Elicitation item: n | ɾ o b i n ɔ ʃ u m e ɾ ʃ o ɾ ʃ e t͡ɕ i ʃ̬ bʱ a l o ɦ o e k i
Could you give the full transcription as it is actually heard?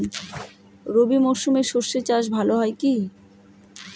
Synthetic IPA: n | ɾ o b i m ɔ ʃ u m e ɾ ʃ o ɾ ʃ e t͡ɕ a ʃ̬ bʱ a l o ɦ ɔ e k i